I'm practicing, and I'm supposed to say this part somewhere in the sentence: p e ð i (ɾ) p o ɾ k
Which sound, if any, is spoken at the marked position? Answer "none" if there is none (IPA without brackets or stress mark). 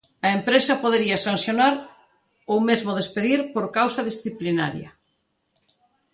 ɾ